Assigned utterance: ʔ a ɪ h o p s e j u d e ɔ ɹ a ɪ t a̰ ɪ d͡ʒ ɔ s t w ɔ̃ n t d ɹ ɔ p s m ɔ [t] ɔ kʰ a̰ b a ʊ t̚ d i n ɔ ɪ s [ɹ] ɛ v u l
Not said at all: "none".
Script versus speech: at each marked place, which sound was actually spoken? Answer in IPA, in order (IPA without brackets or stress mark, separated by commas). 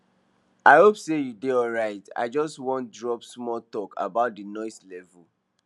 t, l